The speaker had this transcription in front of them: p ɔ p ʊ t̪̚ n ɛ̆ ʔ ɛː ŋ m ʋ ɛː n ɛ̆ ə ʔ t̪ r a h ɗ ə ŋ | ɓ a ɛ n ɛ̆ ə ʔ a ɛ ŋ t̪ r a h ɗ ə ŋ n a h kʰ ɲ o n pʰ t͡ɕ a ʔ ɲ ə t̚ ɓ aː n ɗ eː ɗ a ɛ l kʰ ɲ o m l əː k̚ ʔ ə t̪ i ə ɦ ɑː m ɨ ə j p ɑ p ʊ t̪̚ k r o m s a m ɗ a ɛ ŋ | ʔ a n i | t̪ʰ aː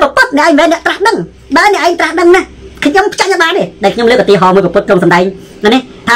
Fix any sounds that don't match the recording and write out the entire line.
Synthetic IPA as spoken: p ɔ p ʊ t̪̚ n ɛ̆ ʔ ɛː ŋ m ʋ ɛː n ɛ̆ ə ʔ t̪ r a h ɗ ə ŋ | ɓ a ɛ n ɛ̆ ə ʔ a ɛ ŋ t̪ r a h ɗ ə ŋ n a h kʰ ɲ o m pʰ t͡ɕ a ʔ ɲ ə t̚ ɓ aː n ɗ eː ɗ a ɛ l kʰ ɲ o m l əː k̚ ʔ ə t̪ i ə ɦ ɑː m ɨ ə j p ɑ p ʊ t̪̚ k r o ŋ s ɑ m ɗ a ɛ ŋ | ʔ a n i | t̪ʰ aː